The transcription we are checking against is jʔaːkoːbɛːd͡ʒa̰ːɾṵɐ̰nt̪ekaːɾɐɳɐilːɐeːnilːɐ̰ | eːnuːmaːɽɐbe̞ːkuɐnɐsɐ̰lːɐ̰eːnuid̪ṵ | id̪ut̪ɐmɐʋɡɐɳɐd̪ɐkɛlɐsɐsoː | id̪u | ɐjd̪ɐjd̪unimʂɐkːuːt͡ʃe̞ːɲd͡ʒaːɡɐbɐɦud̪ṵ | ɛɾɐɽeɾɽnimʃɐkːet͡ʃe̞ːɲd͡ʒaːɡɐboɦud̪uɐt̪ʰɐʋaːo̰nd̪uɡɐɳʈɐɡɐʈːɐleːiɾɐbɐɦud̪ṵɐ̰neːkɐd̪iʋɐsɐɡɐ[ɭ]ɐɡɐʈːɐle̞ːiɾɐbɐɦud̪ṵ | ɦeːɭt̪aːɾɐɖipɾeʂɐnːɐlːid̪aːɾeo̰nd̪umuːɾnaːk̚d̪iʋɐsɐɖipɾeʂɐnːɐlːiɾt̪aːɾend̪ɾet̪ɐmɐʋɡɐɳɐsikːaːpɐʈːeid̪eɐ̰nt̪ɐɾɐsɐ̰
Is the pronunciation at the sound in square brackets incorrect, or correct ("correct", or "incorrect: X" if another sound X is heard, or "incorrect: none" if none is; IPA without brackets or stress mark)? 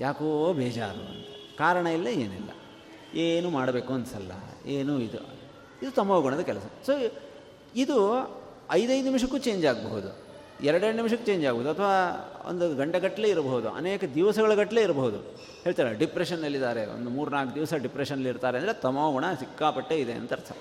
correct